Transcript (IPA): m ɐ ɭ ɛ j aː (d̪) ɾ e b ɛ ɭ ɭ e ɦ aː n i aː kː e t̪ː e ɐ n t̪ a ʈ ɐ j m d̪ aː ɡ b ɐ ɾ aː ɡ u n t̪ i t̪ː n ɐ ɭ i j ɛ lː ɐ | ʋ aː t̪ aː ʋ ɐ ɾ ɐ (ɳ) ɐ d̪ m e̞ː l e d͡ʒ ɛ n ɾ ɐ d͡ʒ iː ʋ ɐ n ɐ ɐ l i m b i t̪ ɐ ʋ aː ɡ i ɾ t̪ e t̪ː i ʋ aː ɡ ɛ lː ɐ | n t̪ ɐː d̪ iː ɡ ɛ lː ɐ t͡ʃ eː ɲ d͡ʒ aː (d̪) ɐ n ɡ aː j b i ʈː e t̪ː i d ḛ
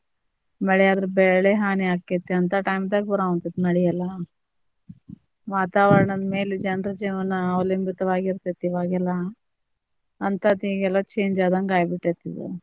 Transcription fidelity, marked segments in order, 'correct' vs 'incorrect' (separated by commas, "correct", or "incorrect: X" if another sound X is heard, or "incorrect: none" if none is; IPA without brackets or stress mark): correct, correct, correct